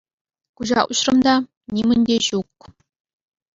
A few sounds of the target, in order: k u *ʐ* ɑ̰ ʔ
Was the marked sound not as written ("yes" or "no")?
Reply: yes